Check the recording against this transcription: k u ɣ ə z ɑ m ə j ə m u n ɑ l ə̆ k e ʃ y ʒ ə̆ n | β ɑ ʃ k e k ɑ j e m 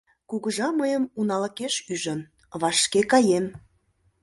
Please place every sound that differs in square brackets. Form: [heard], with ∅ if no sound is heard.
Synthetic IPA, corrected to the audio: k u ɣ ə [ʒ] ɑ m ə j ə m u n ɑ l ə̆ k e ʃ y ʒ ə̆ n | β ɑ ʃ k e k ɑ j e m